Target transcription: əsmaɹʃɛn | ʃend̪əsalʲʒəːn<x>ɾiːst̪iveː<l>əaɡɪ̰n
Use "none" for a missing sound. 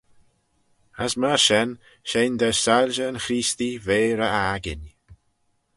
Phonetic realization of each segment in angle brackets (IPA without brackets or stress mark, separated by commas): x, ɾ